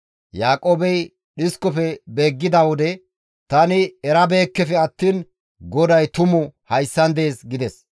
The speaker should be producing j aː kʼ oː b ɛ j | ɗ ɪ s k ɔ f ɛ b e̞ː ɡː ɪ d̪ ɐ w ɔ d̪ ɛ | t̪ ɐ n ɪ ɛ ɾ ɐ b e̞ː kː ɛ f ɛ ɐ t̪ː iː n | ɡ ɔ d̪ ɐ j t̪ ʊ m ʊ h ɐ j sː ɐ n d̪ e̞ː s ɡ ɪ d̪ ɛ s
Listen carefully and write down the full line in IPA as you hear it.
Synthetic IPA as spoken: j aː kʼ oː b ɛ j | ɗ ɪ s k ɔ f ɛ b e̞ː ɡː ɪ d̪ ɐ w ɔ d̪ ɛ | t̪ ɐ n ɪ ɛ ɾ ɐ b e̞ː kː ɛ f ɛ ɐ t̪ː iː n | ɡ ɔ d̪ ɐ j t̪ ʊ m ʊ h ɐ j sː ɐ n d̪ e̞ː s ɡ ɪ d̪ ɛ s